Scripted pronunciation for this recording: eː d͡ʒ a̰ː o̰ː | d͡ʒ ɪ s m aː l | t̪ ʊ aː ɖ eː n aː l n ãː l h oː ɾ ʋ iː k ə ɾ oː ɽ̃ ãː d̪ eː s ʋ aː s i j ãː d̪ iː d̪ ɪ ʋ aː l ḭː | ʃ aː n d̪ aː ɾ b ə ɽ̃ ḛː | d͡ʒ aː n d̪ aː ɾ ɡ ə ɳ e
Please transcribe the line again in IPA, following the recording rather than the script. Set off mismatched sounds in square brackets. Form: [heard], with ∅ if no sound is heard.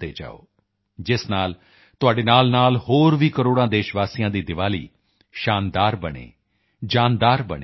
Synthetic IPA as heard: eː d͡ʒ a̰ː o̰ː | d͡ʒ ɪ s [n] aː l | t̪ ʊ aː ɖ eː n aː l n [aː] l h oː ɾ ʋ iː k ə ɾ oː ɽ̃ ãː d̪ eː [ʃ] ʋ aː s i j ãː d̪ iː d̪ ɪ ʋ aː l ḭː | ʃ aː n d̪ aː ɾ b ə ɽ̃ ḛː | d͡ʒ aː n d̪ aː ɾ [b] ə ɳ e